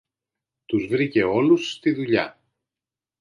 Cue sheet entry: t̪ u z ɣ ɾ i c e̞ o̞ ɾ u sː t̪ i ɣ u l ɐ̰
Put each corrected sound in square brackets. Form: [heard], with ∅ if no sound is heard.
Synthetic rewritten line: t̪ u z [v] ɾ i c e̞ o̞ [l] u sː t̪ i [ð] u [ʎ] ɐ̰